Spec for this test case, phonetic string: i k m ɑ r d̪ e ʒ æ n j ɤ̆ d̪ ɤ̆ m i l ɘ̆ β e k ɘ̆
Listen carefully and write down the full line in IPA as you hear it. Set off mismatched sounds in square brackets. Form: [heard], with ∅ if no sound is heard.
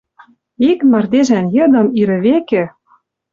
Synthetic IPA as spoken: i k m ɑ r d̪ e ʒ æ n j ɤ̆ d̪ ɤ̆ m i [ɾ] ɘ̆ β e k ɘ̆